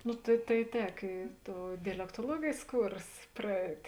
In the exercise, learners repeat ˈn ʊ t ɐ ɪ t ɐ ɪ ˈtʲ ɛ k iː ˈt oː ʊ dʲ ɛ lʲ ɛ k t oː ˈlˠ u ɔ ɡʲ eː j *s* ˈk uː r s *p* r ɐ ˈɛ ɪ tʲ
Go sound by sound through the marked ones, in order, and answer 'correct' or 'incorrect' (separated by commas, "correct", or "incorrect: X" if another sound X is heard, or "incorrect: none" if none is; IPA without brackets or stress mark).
correct, correct